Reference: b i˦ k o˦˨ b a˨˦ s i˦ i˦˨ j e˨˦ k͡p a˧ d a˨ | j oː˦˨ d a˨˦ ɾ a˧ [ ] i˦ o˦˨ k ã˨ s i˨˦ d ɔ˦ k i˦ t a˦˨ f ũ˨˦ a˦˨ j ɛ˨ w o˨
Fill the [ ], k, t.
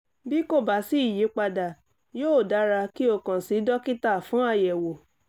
k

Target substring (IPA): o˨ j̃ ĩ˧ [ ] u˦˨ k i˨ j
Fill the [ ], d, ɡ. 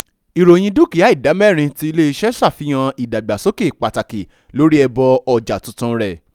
d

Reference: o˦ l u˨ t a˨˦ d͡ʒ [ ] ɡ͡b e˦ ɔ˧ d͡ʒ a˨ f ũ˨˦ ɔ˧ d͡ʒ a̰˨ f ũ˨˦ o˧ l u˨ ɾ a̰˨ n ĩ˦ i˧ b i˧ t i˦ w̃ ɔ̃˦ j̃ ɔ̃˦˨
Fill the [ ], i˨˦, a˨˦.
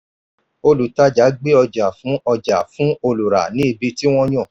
a˨˦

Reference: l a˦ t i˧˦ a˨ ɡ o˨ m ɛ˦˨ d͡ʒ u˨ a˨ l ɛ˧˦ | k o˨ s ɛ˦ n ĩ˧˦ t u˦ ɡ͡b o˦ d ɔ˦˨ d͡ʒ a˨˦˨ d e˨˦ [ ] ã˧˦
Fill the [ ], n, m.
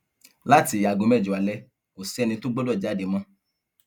m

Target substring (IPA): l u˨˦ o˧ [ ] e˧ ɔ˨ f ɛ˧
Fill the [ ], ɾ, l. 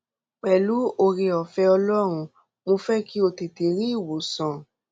ɾ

